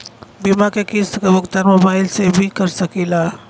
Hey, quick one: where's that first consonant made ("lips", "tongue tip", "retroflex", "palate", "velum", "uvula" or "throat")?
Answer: lips